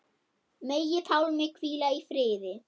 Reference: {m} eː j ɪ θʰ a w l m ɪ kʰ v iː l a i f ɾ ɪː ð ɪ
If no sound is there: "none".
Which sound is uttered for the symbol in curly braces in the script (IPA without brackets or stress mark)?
m